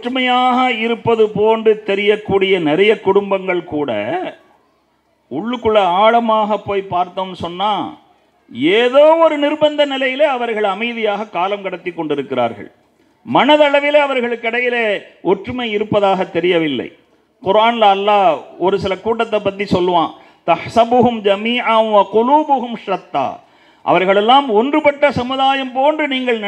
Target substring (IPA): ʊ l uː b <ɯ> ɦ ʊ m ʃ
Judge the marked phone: incorrect: ʊ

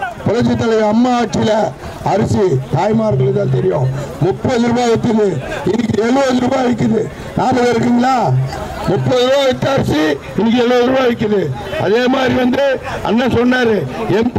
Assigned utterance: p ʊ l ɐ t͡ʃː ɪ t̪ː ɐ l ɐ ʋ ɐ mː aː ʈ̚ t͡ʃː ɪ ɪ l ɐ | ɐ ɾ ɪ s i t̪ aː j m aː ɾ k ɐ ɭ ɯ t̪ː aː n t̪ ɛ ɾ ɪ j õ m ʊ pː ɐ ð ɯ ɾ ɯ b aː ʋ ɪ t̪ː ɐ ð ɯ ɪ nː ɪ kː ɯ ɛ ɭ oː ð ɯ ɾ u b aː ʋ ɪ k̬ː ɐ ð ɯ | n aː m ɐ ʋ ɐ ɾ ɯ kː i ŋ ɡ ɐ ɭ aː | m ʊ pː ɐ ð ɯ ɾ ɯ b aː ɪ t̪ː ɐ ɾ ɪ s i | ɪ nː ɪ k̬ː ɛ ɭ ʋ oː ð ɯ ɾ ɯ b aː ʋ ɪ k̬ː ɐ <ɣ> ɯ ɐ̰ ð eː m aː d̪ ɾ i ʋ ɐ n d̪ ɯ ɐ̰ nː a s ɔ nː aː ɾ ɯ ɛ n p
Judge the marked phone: incorrect: ð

